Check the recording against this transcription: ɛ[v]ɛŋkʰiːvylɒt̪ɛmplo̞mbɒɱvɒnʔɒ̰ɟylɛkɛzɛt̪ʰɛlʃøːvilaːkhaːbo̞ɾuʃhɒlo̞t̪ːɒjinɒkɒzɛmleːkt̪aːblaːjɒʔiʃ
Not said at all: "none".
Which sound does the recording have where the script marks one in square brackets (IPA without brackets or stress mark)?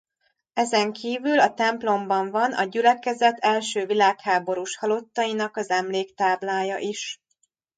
z